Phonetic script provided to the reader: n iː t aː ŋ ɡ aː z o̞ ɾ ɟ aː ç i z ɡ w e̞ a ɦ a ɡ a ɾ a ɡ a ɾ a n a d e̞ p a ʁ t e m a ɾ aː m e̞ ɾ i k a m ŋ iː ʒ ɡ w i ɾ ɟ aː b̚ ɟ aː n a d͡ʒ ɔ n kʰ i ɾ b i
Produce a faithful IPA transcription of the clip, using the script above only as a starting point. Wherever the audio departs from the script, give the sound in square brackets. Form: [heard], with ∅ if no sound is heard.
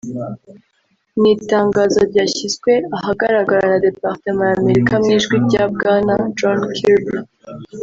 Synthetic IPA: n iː t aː ŋ ɡ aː z o̞ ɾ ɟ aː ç i z ɡ w e̞ a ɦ a ɡ a ɾ a ɡ a ɾ a n a d e̞ p a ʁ t e m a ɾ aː m e̞ ɾ i k a m ŋ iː ʒ ɡ w i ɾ ɟ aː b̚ [ɡ] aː n a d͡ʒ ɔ n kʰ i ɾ b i